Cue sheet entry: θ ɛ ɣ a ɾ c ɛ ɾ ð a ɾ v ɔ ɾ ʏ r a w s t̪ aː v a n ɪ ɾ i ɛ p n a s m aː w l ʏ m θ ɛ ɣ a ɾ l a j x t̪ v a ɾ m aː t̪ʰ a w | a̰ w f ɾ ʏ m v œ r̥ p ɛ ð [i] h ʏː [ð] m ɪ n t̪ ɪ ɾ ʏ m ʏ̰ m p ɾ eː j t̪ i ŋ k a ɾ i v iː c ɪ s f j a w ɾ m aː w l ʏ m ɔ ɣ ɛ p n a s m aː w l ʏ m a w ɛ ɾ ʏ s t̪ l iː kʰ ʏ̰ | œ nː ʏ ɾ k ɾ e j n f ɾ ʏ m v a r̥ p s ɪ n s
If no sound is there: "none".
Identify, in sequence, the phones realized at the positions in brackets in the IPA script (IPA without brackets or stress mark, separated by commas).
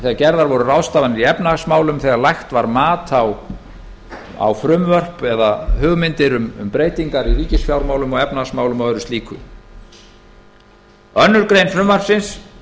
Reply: a, ɣ